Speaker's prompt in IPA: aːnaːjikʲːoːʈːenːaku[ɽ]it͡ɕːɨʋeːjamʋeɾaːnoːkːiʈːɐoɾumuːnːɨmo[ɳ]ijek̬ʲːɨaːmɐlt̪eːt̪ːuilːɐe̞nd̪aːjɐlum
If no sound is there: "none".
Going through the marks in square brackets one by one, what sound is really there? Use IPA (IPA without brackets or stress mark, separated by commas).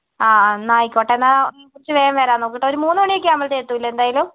r, ɳ